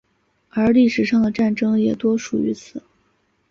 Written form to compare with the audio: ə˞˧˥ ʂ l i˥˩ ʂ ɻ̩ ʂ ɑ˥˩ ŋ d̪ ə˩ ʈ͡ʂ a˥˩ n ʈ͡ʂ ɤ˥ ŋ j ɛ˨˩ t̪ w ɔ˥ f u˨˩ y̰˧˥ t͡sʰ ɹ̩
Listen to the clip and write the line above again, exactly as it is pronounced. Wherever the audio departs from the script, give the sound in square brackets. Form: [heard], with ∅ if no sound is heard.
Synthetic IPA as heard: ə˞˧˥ [∅] l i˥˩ ʂ ɻ̩ ʂ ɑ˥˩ ŋ d̪ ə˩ ʈ͡ʂ a˥˩ n ʈ͡ʂ ɤ˥ ŋ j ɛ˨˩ t̪ w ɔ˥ [ʂ] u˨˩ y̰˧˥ t͡sʰ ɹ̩